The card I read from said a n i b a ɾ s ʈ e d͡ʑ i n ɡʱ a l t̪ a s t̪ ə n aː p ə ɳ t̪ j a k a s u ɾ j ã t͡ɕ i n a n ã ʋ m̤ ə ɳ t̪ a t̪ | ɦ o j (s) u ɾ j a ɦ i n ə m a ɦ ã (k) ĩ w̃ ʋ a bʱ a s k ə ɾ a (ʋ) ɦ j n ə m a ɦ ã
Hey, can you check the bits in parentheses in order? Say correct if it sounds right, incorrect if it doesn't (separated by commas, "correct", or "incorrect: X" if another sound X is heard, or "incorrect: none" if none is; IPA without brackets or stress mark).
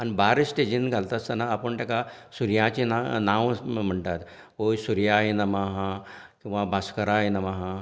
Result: correct, correct, incorrect: none